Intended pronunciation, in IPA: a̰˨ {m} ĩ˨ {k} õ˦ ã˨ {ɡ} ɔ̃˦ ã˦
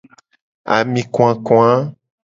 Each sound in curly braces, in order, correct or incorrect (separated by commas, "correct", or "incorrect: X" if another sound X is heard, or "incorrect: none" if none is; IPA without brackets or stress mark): correct, correct, incorrect: k